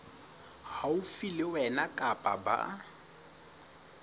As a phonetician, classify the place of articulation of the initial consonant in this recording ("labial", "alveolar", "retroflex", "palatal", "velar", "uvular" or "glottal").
glottal